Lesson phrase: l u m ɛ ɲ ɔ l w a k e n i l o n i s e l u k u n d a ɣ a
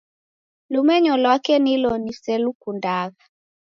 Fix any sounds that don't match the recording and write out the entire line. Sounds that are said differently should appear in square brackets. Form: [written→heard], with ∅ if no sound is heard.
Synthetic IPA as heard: l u m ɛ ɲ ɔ l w a k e n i l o n i s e l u k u n d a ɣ a